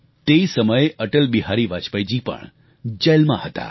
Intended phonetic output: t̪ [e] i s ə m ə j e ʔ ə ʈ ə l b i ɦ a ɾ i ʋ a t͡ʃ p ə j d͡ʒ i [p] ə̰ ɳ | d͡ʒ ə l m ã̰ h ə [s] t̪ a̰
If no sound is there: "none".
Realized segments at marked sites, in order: e, p, none

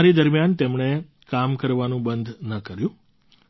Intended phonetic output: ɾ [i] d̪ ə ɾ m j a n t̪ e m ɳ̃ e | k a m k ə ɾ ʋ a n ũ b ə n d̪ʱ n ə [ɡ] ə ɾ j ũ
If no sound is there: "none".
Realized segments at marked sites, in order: i, k

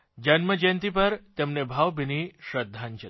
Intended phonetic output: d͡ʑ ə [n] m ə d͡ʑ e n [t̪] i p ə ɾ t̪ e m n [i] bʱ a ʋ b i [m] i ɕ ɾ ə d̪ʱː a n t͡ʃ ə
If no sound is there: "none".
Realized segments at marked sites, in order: n, t̪, e, n

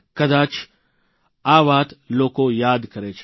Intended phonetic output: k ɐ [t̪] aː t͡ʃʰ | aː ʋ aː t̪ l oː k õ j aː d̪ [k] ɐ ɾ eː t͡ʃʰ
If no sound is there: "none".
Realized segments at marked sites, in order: d̪, k

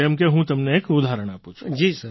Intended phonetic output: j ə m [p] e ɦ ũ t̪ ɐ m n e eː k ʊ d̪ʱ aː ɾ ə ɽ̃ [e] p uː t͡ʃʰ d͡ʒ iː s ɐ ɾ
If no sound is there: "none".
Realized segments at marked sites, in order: k, a

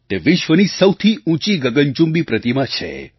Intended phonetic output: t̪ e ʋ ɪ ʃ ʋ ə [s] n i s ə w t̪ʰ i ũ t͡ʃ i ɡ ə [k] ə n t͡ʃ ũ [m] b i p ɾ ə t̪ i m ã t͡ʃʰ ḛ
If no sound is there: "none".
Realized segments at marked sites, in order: none, ɡ, m

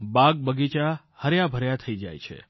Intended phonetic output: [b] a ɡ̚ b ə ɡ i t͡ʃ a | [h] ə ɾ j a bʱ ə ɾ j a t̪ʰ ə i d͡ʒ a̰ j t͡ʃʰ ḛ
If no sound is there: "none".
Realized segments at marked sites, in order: b, h

